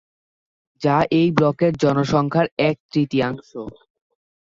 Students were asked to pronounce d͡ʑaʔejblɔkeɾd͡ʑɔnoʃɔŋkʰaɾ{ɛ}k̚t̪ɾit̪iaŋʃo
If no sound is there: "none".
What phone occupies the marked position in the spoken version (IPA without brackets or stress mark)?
ɛ